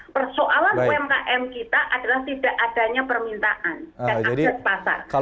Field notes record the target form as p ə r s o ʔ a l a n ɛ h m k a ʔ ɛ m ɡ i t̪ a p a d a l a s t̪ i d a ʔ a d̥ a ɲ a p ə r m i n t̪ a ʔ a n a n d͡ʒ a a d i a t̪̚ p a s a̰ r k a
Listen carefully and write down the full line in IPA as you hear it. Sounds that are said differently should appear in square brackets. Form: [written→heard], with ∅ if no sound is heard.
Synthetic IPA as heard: p ə r s o ʔ a l a n ɛ [h→∅] m k a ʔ ɛ m [ɡ→k] i t̪ a [p→ʔ] a d a l a [s→h] t̪ i d a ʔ a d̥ a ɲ a p ə r m i n t̪ a ʔ a n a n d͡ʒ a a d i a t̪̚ p a s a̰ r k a

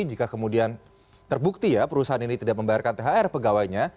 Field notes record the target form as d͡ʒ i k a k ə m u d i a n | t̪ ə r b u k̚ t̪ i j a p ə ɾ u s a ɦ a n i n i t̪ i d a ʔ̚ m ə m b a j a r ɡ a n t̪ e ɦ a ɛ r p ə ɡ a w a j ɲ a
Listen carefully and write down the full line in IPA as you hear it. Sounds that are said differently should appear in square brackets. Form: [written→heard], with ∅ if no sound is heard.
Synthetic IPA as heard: d͡ʒ i k a k ə m u d i a n | t̪ ə r b u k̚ t̪ i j a p ə ɾ u s a ɦ a n i n i t̪ i d a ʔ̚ m ə m b a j a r [ɡ→k] a n t̪ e ɦ a ɛ r p ə ɡ a w a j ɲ a

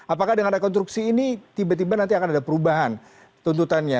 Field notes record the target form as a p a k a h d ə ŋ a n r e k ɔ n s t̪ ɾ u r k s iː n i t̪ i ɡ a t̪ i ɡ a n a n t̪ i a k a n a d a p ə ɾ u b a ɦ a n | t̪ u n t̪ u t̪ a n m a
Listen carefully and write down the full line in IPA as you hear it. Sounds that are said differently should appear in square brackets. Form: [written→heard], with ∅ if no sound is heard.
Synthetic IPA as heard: a p a k a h d ə ŋ a n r e k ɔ n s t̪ ɾ u [r→∅] k s iː n i t̪ i [ɡ→b] a t̪ i [ɡ→b] a n a n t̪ i a k a n a d a p ə ɾ u b a ɦ a n | t̪ u n t̪ u t̪ a n [m→ɲ] a

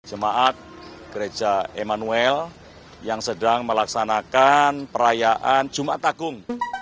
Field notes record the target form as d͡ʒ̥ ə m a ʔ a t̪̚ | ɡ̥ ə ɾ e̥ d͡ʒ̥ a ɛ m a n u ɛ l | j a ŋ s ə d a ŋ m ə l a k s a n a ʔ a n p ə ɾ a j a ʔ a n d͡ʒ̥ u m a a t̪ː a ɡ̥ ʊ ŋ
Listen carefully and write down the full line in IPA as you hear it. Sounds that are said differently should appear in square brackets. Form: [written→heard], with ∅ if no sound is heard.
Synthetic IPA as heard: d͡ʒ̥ ə m a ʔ a t̪̚ | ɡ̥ ə ɾ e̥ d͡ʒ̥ a [ɛ→e] m a n u ɛ l | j a ŋ s ə d a ŋ m ə l a k s a n a [ʔ→k] a n p ə ɾ a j a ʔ a n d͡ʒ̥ u m a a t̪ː a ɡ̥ ʊ ŋ

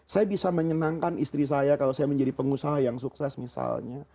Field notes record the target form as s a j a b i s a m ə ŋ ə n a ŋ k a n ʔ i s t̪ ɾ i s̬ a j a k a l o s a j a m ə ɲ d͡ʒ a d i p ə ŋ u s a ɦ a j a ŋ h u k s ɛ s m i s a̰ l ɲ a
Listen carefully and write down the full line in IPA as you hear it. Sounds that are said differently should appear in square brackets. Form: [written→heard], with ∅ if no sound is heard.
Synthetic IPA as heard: s a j a b i s a m ə [ŋ→ɲ] ə n a ŋ k a n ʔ i s t̪ ɾ i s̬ a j a k a l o s a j a m ə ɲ d͡ʒ a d i p ə ŋ u s a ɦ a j a ŋ [h→s] u k s ɛ s m i s a̰ l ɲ a

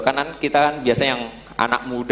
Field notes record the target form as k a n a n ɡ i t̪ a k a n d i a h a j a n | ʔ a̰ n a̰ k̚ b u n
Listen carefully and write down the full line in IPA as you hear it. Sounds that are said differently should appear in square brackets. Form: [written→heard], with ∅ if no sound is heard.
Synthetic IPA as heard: k a n a n [ɡ→k] i t̪ a k a n [d→b] i a [h→s] a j a [n→ŋ] | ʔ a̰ n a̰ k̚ [b→m] u [n→d]

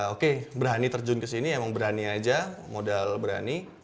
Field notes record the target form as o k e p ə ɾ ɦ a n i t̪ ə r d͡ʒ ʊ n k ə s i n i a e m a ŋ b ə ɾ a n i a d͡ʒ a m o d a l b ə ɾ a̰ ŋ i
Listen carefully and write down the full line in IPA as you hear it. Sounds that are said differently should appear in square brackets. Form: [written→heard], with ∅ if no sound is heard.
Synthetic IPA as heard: o k e [p→b] ə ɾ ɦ a n i t̪ ə r d͡ʒ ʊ n k ə s i n i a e m a ŋ b ə ɾ a n i a d͡ʒ a m o d a l b ə ɾ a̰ [ŋ→n] i

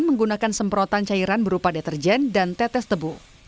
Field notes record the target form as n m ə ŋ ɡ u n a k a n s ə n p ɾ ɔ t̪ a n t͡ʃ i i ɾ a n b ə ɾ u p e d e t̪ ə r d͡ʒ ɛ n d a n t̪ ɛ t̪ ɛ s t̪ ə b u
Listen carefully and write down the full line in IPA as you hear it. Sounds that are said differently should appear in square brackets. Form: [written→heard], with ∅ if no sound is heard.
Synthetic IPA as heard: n m ə ŋ ɡ u n a k a n s ə [n→m] p ɾ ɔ t̪ a n t͡ʃ [i→a] i ɾ a n b ə ɾ u p [e→a] d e t̪ ə r d͡ʒ ɛ n d a n t̪ ɛ t̪ ɛ s t̪ ə b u

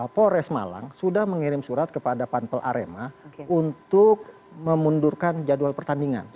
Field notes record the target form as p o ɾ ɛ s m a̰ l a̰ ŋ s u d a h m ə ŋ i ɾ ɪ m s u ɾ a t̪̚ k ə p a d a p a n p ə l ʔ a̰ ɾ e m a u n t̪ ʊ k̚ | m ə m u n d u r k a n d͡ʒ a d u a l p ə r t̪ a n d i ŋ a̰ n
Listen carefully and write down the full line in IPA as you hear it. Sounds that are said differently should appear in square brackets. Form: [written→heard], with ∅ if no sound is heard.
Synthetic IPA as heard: p o ɾ ɛ s m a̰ l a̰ ŋ s u d a h m ə ŋ i ɾ ɪ m s u ɾ a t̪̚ k ə p a d a p a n p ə l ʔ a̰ ɾ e m a u n t̪ ʊ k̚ | m ə m u n d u r k a n d͡ʒ a d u a l p ə r t̪ a n d i ŋ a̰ n

